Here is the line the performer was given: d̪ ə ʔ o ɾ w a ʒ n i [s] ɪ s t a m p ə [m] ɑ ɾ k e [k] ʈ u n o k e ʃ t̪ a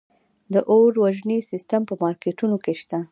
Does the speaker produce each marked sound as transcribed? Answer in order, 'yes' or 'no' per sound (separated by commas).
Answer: yes, yes, no